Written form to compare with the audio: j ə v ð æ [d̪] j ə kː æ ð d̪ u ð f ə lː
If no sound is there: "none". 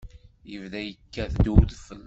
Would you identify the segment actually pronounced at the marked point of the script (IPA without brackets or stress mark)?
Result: none